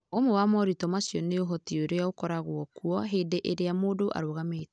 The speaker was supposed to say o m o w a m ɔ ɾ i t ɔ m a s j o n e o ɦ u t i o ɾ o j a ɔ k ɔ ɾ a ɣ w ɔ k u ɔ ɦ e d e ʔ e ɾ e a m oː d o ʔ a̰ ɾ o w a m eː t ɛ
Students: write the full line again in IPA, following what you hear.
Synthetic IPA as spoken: o m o w a m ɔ ɾ i t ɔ m a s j ɔ n e o ɦ ɔ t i o ɾ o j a o k ɔ ɾ a ɣ w ɔ k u ɔ ɦ e d e ʔ e ɾ e a m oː d o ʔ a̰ ɾ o ɣ a m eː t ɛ